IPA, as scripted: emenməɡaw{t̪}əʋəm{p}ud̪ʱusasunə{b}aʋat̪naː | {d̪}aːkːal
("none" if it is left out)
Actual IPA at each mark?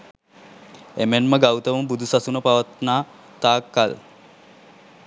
t̪, b, p, t̪

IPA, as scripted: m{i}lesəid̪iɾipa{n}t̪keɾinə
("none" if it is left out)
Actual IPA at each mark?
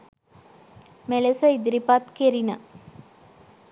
e, none

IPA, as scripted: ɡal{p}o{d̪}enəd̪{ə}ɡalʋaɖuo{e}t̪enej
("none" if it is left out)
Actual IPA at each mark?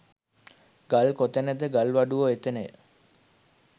k, t̪, ə, e

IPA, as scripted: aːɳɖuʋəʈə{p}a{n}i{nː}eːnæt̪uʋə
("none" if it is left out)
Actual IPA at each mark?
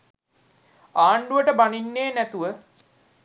b, n, nː

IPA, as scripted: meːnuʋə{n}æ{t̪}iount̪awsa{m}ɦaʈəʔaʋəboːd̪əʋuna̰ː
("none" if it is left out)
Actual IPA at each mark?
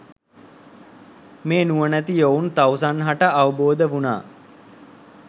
n, t̪, n

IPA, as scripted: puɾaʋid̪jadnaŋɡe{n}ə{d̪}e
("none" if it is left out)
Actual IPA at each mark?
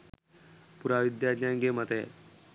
m, t̪

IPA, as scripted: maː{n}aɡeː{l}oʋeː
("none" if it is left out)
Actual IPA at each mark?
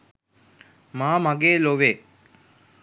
m, l

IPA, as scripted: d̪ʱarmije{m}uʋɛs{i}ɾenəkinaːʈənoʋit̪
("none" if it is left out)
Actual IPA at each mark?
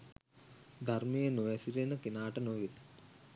n, i

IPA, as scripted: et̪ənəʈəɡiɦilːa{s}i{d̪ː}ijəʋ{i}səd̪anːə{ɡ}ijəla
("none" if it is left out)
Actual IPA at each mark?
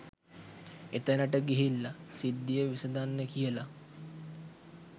s, d̪ː, i, k

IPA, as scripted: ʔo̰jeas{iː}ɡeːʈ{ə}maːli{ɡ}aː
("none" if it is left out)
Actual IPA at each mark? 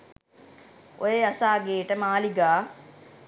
aː, ə, ɡ

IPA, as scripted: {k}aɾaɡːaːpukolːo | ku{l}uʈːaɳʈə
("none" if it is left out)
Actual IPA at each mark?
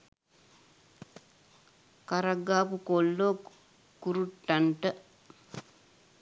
k, ɾ

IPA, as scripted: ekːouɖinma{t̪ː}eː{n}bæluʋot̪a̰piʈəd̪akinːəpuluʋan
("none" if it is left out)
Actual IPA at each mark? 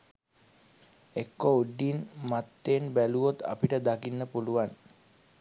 t̪ː, n

